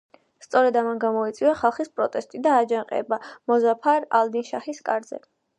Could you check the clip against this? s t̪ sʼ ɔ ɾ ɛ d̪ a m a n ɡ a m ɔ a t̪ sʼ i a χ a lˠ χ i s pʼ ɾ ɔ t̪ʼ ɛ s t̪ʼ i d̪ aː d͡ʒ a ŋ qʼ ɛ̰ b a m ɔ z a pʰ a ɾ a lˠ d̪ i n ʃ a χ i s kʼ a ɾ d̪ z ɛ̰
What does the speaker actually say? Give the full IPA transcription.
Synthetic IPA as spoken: s t̪ sʼ ɔ ɾ ɛ d̪ a m a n ɡ a m ɔ i t̪ sʼ i a χ a lˠ χ i s pʼ ɾ ɔ t̪ʼ ɛ s t̪ʼ i d̪ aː d͡ʒ a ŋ qʼ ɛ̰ b a m ɔ z a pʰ a ɾ a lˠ d̪ i n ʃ a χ i s kʼ a ɾ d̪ z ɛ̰